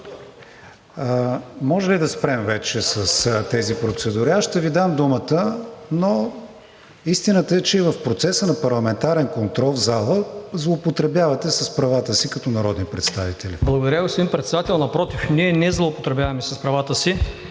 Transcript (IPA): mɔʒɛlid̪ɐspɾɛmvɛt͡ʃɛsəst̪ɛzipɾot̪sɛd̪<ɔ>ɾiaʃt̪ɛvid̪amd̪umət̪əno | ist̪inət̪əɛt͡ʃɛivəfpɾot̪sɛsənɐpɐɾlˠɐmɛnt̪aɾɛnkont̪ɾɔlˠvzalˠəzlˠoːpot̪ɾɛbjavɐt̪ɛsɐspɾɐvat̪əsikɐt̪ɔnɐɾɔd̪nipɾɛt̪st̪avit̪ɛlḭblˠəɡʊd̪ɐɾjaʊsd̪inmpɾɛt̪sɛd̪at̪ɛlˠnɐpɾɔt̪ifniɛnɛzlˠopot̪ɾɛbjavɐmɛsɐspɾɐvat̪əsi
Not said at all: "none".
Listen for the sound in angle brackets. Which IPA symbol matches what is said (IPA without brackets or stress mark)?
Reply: u